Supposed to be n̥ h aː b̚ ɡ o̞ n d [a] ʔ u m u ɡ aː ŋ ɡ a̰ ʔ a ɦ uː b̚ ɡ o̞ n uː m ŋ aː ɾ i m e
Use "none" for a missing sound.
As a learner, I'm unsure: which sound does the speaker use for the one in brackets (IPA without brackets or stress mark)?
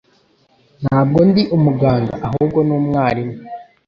i